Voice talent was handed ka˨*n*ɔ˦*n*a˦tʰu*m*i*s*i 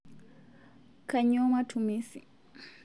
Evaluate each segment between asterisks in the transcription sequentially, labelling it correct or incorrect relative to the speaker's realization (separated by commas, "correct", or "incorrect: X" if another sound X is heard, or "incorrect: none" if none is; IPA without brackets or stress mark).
incorrect: ɲ, incorrect: m, correct, correct